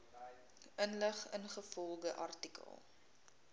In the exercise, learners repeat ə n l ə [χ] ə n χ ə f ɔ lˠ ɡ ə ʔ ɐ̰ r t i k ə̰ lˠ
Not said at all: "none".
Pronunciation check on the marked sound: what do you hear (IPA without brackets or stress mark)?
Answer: χ